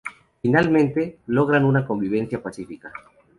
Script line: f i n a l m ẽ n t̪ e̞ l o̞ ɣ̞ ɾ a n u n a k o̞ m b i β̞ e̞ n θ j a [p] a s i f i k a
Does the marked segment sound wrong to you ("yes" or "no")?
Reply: no